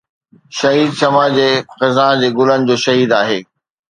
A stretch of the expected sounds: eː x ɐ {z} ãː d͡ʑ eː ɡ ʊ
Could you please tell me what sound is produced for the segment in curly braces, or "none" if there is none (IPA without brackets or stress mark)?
z